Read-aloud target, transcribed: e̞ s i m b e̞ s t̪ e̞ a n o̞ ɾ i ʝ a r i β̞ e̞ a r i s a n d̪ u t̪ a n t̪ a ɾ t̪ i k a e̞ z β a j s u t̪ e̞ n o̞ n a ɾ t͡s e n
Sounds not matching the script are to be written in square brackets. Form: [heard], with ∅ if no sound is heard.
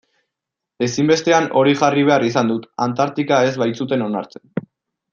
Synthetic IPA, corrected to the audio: e̞ s i m b e̞ s t̪ e̞ a n o̞ ɾ i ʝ a r i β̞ e̞ a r i s a n d̪ u t̪ a n t̪ a ɾ t̪ i k a e̞ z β a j [t͡s] u t̪ e̞ n o̞ n a ɾ t͡s e n

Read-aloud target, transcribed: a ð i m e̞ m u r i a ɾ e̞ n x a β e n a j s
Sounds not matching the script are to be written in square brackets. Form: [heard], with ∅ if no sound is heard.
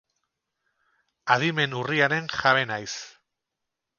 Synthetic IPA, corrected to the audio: a ð i m e̞ [n] u r i a ɾ e̞ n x a β e n a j s

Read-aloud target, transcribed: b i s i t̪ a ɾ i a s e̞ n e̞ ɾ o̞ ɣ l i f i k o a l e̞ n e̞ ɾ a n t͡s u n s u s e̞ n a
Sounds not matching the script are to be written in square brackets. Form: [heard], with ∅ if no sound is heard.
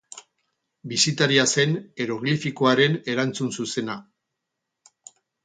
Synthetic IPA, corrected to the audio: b i s i t̪ a ɾ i a s e̞ n e̞ ɾ o̞ ɣ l i f i k o a [ɾ] e̞ n e̞ ɾ a n t͡s u n s u s e̞ n a

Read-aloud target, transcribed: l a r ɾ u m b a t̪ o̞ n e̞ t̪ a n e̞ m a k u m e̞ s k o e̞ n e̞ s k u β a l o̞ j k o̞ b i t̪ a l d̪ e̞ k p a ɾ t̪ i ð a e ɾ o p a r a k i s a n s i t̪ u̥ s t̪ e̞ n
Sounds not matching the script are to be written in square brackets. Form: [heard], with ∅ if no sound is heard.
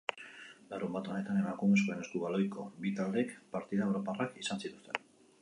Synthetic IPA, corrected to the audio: l a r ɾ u m b a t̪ o̞ n e̞ t̪ a n e̞ m a k u m e̞ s k o e̞ n e̞ s k u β a l o̞ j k o̞ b i t̪ a l d̪ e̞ k p a ɾ t̪ i ð a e ɾ o p a r a k i s a n s i t̪ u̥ s t̪ e̞ n

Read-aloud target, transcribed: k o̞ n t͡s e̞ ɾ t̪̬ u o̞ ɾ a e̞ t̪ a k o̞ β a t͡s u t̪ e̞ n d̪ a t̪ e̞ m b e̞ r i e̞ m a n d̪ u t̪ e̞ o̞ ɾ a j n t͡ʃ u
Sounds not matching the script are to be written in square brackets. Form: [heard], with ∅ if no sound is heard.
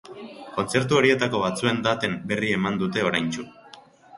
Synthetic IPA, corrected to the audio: k o̞ n t͡s e̞ ɾ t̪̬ u o̞ ɾ [i] e̞ t̪ a k o̞ β a t͡s u [∅] e̞ n d̪ a t̪ e̞ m b e̞ r i e̞ m a n d̪ u t̪ e̞ o̞ ɾ a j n t͡ʃ u

